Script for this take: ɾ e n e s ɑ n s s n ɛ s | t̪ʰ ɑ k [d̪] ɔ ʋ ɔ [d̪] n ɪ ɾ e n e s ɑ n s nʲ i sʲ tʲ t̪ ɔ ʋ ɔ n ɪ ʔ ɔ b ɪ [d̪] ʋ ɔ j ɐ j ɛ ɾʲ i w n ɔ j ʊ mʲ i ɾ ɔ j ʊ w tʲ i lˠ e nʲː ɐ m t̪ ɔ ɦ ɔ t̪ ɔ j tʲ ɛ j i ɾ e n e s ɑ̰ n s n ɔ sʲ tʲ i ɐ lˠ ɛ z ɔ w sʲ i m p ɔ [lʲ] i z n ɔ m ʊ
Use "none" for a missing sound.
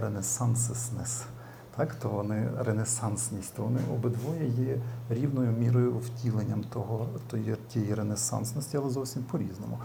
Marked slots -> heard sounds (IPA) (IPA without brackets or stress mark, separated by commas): t̪, none, d̪, ɾʲ